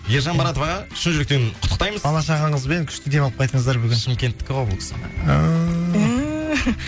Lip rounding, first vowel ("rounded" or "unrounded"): unrounded